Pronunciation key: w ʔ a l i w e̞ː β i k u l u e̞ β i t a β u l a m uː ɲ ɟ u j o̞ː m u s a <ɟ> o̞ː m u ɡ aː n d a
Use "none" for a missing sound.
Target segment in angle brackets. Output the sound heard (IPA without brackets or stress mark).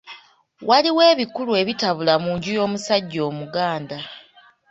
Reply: ɟː